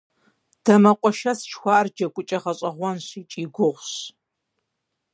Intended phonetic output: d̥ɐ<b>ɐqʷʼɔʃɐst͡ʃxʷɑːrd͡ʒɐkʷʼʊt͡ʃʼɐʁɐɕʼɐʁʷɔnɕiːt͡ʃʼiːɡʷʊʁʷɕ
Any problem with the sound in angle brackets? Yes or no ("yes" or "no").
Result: yes